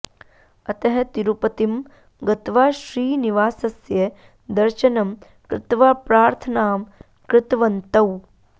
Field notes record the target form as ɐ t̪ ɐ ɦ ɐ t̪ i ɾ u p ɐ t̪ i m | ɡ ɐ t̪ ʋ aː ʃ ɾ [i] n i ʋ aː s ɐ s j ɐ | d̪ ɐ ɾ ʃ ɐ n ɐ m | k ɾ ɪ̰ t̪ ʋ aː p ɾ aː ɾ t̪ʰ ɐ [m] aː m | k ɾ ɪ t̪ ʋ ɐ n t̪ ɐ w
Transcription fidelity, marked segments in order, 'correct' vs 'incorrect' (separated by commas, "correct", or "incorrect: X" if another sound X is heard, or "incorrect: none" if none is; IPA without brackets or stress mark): incorrect: iː, incorrect: n